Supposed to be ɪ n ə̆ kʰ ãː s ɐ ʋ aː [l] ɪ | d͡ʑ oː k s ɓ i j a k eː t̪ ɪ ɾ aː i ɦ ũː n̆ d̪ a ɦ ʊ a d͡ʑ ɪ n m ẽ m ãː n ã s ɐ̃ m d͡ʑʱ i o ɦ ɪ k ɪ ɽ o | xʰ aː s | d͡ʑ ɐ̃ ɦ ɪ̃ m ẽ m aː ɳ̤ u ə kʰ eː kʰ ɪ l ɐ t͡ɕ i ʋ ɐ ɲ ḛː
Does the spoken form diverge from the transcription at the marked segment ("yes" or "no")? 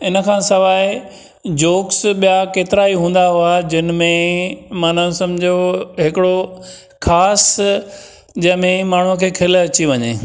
yes